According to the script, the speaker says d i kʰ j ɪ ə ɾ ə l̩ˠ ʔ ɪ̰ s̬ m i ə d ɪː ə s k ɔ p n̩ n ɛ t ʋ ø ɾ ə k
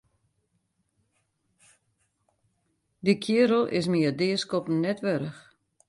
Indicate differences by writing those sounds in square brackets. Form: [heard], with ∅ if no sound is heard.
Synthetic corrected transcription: d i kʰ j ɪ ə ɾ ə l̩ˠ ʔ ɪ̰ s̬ m i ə d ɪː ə s k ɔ p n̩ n ɛ t ʋ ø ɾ ə [x]

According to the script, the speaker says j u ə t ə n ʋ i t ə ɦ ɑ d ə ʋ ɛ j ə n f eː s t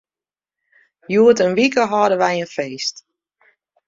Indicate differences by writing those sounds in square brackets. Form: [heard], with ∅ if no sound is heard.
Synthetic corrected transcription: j u ə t ə n ʋ i [k] ə ɦ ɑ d ə ʋ ɛ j ə n f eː s t

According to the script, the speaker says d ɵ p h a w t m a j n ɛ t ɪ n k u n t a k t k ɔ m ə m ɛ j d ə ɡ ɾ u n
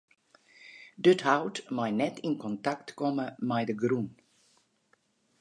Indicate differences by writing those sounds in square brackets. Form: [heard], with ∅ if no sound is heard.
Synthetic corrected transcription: d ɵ [t] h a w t m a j n ɛ t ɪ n k [ɔ] n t a k t k ɔ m ə m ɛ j d ə ɡ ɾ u n

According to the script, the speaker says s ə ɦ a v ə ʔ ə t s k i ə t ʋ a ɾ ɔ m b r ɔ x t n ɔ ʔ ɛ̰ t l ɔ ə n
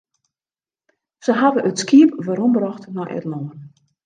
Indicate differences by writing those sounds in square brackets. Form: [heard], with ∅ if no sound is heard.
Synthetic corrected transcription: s ə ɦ a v ə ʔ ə t s k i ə [p] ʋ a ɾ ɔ m b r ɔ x t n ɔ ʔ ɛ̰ t l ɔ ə n

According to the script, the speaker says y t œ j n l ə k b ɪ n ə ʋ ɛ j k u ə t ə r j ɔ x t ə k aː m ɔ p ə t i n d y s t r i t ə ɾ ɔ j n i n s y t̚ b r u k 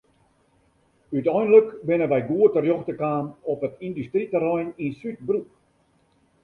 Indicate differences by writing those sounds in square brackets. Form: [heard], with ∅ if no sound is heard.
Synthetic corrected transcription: y t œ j n l ə k b ɪ n ə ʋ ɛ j [ɡ] u ə t ə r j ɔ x t ə k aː m ɔ p ə t i n d y s t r i t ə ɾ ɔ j n i n s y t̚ b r u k

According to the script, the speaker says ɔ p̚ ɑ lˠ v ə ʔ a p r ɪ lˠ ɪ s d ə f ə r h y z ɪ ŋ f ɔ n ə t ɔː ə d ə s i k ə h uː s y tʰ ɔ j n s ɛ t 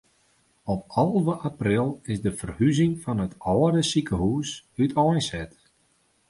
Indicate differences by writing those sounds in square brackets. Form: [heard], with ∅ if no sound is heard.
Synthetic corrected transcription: ɔ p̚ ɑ lˠ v ə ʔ a p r ɪ lˠ ɪ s d ə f ə r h y z ɪ ŋ f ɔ n ə t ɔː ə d ə s i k ə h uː s y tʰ ɔ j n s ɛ t

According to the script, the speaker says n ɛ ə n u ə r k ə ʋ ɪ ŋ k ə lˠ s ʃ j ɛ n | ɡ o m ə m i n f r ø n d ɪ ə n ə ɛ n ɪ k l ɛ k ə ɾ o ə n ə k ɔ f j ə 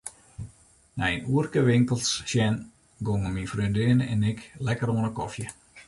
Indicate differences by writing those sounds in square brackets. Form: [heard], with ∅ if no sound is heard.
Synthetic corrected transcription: n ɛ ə n u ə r k ə ʋ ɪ ŋ k ə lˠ s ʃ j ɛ n | ɡ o [ŋ] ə m i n f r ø n d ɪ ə n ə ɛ n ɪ k l ɛ k ə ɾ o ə n ə k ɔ f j ə

